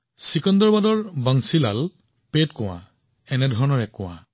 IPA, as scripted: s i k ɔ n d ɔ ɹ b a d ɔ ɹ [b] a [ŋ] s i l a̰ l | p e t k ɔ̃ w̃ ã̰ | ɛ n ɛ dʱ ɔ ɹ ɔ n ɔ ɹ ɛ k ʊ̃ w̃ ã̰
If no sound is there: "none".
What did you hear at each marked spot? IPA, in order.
b, ŋ

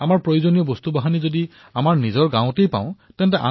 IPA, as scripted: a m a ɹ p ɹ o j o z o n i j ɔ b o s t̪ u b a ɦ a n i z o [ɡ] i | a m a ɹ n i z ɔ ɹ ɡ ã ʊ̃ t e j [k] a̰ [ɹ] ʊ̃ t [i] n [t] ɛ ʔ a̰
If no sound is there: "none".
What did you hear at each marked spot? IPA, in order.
d, p, none, ɛ, t

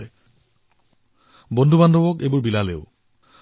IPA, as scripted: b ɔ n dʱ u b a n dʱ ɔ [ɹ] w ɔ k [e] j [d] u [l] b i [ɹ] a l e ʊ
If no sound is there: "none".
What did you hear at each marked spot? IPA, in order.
none, e, b, ɹ, l

